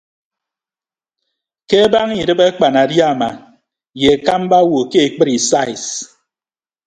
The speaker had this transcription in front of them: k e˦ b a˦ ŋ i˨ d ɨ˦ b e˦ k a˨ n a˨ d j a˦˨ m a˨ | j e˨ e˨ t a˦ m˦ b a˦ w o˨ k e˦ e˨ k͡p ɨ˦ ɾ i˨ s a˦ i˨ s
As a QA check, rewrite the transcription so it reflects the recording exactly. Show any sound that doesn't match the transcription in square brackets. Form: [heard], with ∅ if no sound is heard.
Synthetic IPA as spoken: k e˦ b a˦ ŋ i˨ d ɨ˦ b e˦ [k͡p] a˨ n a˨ d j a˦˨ m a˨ | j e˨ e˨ [k] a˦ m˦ b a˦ w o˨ k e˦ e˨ k͡p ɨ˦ ɾ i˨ s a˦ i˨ s